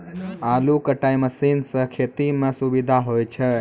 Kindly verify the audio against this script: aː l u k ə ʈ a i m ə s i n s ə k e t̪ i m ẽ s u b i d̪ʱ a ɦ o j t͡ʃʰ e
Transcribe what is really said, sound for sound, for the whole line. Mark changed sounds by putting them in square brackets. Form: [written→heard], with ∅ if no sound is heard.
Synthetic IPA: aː l u k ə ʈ a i m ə s i n s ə [k→kʰ] e t̪ i m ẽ s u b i d̪ʱ a ɦ o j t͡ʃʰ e

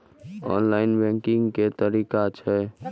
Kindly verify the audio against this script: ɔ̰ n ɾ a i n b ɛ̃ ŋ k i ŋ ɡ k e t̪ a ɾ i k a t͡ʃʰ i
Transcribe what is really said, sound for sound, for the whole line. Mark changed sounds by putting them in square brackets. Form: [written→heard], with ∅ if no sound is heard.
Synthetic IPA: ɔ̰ n [ɾ→l] a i n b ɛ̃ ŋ k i ŋ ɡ k e t̪ [a→ə] ɾ i k a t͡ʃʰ [i→ɛ]

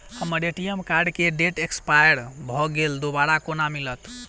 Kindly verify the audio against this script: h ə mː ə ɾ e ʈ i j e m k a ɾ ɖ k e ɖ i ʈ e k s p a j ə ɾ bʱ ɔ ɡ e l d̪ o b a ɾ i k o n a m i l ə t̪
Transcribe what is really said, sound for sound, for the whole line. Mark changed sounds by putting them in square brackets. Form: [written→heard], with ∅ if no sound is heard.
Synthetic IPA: h ə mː ə ɾ e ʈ i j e m k a ɾ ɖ k e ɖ [i→e] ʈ e k s p a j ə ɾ bʱ ɔ ɡ e l d̪ o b a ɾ [i→a] k o n a m i l ə t̪

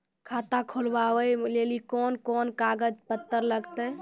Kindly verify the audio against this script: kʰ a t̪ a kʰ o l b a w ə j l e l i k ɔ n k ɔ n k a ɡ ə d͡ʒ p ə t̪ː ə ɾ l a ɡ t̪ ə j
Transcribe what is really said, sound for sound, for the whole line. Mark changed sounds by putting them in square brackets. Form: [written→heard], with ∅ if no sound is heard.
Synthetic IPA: kʰ a t̪ a kʰ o l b a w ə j l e l i k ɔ n k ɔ n k a ɡ ə d͡ʒ p ə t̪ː ə ɾ l [a→ə] ɡ t̪ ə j

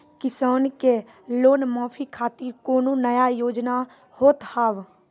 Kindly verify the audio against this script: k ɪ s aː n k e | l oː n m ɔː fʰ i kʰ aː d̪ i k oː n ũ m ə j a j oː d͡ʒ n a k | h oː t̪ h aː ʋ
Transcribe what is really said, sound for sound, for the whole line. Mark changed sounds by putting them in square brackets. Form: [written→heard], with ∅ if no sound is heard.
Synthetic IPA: k ɪ s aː n k e | l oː n m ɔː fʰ i kʰ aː [d̪→t̪] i k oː n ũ [m→n] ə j a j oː d͡ʒ n a [k→∅] | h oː t̪ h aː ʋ

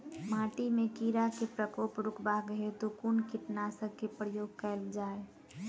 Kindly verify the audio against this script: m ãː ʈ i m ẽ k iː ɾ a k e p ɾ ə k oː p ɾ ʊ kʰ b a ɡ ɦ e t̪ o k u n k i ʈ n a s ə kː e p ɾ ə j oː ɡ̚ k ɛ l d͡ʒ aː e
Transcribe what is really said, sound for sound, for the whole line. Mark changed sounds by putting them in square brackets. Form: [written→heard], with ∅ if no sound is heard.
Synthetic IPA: m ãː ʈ i m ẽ k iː ɾ a k e p ɾ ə k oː p ɾ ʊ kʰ b a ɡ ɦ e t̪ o k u n k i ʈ n a s ə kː e p ɾ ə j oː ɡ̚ k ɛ l d͡ʒ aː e

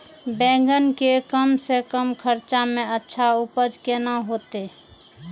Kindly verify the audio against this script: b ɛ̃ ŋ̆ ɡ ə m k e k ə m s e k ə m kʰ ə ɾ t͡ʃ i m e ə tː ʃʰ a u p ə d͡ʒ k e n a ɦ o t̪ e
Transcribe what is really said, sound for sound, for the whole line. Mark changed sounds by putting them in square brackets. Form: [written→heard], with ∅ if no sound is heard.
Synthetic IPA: b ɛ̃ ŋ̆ ɡ ə [m→n] k e k ə m s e k ə m kʰ ə ɾ t͡ʃ [i→a] m e ə tː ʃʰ a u p ə d͡ʒ k e n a ɦ o t̪ e

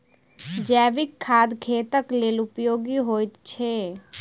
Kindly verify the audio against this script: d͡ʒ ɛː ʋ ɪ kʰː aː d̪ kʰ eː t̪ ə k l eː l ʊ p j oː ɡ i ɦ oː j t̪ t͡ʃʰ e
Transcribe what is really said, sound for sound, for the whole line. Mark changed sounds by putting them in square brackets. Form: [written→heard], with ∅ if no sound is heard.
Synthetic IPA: d͡ʒ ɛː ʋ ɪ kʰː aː d̪ kʰ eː t̪ ə k l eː l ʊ p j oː ɡ i ɦ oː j t̪ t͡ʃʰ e

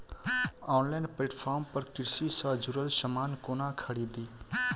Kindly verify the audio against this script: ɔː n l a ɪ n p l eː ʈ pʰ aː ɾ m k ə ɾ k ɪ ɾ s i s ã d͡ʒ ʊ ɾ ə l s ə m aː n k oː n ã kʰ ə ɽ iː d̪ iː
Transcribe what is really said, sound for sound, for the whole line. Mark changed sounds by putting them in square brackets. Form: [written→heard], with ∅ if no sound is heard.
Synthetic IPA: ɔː n l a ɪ n p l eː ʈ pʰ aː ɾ m [k→p] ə ɾ k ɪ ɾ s i s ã d͡ʒ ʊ ɾ ə l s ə m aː n k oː n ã kʰ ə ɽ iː d̪ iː

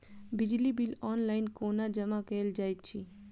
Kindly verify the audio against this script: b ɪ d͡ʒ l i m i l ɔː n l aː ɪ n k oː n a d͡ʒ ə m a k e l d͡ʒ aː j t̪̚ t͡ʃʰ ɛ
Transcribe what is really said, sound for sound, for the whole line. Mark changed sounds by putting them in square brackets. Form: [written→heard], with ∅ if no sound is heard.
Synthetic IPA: b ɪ d͡ʒ l i [m→b] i l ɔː n l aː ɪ n k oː n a d͡ʒ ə m a k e l d͡ʒ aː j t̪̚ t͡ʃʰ [ɛ→i]

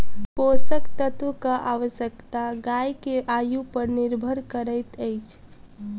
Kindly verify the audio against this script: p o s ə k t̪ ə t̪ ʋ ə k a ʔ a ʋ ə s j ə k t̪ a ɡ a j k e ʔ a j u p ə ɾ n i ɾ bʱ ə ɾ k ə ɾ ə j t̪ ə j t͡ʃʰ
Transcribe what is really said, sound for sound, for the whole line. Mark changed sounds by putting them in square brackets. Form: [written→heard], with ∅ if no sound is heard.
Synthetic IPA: p o s ə k t̪ ə t̪ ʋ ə k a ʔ a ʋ ə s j ə k t̪ a ɡ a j k e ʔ a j u p ə ɾ n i ɾ bʱ ə ɾ k ə ɾ ə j t̪ ə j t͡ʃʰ

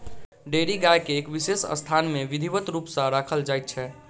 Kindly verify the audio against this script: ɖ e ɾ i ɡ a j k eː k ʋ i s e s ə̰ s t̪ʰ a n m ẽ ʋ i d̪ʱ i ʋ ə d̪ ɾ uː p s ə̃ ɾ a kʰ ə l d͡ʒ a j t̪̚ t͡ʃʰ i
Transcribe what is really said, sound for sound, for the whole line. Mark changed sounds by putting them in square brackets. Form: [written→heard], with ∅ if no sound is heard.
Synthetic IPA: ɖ e ɾ i ɡ a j k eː k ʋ i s e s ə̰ s t̪ʰ a n m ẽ ʋ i d̪ʱ i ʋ ə [d̪→t̪] ɾ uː p s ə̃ ɾ a kʰ ə l d͡ʒ a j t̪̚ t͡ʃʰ [i→ɛ]

